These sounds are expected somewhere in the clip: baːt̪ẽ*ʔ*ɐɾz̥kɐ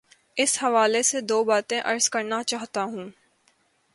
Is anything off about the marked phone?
no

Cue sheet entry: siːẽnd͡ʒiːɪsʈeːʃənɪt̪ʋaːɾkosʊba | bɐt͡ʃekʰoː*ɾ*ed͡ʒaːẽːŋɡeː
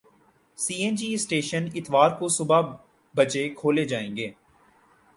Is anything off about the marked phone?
yes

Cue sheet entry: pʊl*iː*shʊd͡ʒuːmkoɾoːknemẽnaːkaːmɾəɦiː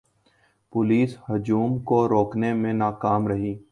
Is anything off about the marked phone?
no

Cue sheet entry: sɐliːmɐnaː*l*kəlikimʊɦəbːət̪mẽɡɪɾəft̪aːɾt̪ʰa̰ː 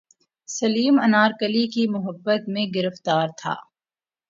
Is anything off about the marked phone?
yes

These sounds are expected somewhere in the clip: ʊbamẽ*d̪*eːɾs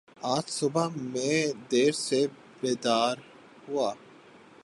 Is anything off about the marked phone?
no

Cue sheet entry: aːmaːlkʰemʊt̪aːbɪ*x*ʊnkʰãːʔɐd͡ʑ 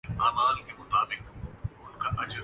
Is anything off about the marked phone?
yes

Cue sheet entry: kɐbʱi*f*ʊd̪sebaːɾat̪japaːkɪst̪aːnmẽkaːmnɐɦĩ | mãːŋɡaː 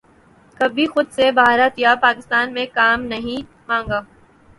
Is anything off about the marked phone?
yes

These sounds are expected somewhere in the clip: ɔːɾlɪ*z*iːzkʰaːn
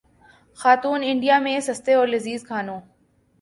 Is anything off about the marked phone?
no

